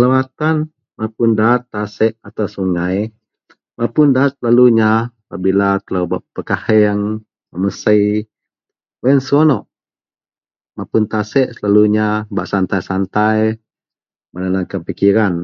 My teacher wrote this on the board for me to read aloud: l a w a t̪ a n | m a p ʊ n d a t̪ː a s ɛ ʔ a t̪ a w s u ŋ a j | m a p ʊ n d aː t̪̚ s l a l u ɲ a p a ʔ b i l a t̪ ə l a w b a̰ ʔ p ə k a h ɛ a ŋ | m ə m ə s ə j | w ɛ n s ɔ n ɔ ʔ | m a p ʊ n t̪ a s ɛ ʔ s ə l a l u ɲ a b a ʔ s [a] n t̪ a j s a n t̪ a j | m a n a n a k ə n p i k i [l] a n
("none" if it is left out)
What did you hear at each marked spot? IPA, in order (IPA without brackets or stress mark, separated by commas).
a, ɾ